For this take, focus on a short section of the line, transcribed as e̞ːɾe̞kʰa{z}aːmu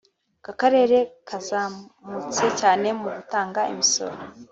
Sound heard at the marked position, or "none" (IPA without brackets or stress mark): z